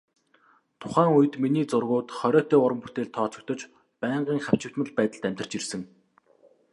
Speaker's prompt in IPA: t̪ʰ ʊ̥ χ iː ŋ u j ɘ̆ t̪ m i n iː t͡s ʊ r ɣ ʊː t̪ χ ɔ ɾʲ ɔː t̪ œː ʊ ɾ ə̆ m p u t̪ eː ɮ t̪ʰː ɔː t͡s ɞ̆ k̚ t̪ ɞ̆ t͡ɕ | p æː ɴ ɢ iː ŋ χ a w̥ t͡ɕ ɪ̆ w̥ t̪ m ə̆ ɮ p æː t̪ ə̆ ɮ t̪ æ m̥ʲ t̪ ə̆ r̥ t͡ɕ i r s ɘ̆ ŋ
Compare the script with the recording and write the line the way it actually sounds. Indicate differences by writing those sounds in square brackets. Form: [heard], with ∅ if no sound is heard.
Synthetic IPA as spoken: t̪ʰ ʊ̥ χ [æː] ŋ u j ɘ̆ t̪ m i n iː t͡s ʊ r ɣ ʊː t̪ χ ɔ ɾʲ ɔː t̪ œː ʊ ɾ ə̆ m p u t̪ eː ɮ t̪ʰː ɔː t͡s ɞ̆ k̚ t̪ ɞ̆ t͡ɕ | p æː ɴ ɢ iː ŋ χ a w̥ t͡ɕ ɪ̆ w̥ t̪ m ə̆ ɮ p æː t̪ ə̆ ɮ t̪ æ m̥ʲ t̪ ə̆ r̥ t͡ɕ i r s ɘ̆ ŋ

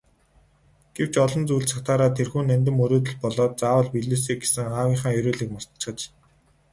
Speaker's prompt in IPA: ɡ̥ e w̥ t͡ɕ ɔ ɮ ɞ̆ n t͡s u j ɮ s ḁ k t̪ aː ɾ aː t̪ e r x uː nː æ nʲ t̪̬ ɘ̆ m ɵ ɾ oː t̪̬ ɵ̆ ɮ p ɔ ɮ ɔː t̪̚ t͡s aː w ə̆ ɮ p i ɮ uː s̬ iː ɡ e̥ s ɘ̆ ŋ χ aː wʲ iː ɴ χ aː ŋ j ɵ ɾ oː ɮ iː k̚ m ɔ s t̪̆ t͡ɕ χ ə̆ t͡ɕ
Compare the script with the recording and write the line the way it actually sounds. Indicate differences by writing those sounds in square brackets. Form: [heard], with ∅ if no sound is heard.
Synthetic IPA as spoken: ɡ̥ e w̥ t͡ɕ ɔ ɮ ɞ̆ n t͡s u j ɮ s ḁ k t̪ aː ɾ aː [t̪ʰ] e r x uː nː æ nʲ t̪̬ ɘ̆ m ɵ ɾ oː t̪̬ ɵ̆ ɮ p ɔ ɮ ɔː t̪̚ t͡s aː w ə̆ ɮ p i ɮ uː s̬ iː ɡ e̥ s ɘ̆ ŋ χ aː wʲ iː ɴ χ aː ŋ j ɵ ɾ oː ɮ iː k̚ m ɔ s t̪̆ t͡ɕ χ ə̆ t͡ɕ

